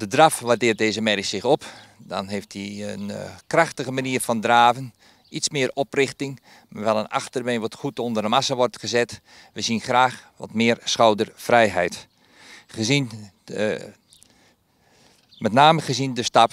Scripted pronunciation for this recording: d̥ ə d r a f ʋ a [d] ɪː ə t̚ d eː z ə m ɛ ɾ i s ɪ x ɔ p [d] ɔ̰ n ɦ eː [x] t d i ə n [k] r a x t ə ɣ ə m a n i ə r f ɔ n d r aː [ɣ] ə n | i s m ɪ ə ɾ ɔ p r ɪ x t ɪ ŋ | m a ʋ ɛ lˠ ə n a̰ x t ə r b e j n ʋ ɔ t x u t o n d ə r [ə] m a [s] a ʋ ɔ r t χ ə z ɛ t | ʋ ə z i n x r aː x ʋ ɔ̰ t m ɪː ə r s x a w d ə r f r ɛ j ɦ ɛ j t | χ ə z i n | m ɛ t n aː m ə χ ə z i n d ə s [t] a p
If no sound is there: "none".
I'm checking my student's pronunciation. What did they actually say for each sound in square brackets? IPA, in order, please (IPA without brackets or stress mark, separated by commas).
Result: d, d, f, k, v, ə, s, t